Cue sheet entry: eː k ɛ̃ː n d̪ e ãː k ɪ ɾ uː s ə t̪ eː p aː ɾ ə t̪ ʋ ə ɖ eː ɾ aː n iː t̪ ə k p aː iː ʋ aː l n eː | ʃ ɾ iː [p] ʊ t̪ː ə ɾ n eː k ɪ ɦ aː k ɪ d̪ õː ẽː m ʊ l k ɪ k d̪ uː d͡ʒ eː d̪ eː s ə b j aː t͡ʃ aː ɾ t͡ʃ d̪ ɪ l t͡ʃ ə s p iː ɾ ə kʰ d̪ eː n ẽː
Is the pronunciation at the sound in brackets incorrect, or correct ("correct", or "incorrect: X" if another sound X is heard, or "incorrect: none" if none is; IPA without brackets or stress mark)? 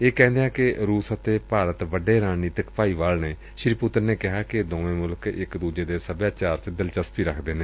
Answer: correct